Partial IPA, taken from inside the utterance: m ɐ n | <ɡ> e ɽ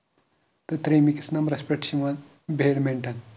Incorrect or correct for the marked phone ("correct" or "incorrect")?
incorrect